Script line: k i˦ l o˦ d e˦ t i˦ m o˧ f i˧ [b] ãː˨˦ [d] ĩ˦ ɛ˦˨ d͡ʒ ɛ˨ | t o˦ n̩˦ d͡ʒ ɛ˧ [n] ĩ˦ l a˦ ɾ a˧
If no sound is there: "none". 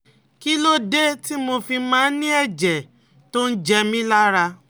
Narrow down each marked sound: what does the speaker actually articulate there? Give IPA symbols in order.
m, n, m

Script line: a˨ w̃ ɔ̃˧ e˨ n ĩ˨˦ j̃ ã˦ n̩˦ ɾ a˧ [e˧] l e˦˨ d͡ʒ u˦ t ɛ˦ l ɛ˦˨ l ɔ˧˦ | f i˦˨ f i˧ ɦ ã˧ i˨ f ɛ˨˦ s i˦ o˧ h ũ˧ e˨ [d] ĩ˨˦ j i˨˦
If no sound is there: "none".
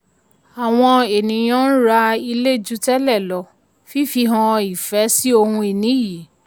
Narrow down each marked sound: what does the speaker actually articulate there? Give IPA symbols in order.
i˧, n

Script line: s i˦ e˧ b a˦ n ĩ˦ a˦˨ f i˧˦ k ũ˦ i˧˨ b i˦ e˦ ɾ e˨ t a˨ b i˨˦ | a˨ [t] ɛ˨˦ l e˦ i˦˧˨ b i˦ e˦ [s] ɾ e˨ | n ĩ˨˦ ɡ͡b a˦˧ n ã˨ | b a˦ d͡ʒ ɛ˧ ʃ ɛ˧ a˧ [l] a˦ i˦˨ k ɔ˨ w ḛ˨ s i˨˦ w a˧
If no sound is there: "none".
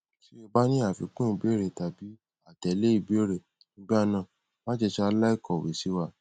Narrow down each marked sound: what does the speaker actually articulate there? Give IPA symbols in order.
t, none, l

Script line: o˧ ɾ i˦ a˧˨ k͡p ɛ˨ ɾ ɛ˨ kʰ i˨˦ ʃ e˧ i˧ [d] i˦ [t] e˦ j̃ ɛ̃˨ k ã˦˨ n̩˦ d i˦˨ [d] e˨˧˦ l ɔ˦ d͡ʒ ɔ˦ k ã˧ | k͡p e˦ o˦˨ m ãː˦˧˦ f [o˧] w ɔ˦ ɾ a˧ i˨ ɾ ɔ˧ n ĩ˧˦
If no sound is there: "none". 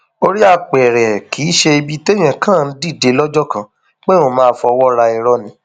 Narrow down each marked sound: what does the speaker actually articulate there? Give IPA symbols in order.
b, t, d, ɔ˧

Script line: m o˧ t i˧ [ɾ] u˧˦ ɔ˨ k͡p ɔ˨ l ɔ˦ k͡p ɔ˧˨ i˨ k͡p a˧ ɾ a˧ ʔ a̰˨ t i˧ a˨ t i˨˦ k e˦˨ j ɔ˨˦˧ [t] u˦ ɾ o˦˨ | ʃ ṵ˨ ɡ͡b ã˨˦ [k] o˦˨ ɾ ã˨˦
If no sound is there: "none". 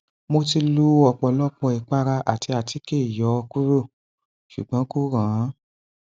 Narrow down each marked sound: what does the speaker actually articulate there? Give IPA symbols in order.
l, k, k

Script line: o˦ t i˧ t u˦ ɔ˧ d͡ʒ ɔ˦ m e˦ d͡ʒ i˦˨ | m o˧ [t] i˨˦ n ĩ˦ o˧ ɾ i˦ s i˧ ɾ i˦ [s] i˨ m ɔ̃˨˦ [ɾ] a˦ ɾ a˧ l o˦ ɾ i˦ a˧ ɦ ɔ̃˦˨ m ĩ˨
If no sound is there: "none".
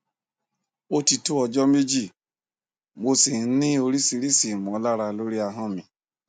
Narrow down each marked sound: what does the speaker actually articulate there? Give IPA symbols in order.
s, s, l

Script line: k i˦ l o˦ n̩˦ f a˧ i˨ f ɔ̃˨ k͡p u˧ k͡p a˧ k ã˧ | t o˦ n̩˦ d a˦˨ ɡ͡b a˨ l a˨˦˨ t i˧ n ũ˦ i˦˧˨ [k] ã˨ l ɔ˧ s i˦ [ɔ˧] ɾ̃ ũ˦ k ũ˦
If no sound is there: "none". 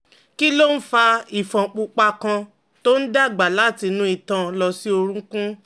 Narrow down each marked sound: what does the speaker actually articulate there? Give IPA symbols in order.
t, o˧

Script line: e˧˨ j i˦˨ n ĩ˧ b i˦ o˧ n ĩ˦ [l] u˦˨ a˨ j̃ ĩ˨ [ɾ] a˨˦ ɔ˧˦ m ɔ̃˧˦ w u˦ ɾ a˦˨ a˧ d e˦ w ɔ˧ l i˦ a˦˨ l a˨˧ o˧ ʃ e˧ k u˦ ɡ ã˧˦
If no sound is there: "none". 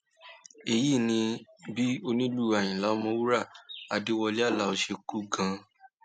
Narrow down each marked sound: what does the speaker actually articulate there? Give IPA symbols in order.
l, l

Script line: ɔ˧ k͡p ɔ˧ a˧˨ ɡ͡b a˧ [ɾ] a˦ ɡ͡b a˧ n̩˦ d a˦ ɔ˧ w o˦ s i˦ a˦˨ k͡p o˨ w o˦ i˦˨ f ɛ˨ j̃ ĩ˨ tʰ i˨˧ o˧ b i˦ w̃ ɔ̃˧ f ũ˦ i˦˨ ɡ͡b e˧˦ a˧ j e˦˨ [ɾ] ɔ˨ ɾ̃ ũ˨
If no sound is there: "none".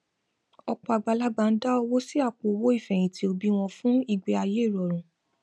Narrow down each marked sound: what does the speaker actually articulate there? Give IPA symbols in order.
l, ɾ

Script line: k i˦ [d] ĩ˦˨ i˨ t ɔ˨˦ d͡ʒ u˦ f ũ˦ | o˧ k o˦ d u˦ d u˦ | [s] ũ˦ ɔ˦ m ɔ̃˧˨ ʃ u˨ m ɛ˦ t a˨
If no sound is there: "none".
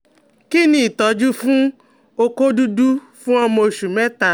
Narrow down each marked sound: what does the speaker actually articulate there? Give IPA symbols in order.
n, f

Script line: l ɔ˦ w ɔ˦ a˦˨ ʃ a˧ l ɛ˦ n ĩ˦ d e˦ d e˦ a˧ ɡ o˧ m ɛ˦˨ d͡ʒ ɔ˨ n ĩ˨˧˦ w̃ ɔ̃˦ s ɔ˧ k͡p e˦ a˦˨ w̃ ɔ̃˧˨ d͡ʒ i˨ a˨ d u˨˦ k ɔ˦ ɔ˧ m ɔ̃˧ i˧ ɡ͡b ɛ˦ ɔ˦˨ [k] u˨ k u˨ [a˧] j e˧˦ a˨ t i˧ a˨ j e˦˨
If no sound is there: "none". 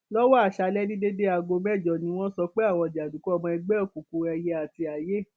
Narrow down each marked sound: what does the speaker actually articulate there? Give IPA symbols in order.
k, ɛ˧

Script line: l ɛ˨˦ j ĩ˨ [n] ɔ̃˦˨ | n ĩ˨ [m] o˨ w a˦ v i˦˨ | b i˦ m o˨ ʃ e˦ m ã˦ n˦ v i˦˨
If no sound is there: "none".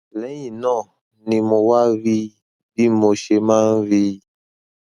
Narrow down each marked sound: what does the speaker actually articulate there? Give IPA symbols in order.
n, m

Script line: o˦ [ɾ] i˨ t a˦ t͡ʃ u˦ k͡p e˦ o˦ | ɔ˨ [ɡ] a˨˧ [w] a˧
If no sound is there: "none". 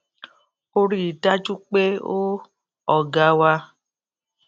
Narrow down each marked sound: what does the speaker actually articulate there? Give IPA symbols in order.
ɾ, ɡ, w

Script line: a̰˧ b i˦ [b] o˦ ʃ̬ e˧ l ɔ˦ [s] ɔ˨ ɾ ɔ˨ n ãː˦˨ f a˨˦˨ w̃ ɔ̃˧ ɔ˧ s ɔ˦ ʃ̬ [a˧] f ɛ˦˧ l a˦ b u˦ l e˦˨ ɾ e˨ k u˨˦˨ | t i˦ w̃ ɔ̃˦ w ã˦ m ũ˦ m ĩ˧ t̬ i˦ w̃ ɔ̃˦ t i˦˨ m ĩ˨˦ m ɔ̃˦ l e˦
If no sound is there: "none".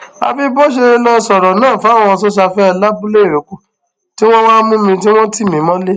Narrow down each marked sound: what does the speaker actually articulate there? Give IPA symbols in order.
b, s, a˧

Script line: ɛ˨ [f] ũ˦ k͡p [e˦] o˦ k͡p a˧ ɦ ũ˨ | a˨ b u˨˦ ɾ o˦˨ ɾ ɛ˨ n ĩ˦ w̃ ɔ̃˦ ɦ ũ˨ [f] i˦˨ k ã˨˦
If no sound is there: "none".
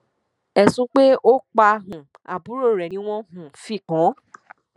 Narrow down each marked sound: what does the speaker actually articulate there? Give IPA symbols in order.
s, e˦, f

